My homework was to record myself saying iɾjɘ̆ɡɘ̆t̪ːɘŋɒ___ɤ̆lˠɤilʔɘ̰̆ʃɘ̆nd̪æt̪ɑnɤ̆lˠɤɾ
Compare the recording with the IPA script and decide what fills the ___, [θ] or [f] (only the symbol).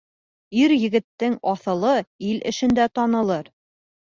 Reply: θ